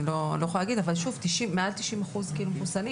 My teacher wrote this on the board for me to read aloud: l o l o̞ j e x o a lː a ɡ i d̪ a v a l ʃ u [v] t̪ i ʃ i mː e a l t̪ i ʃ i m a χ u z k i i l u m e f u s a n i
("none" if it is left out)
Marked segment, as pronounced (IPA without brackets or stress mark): v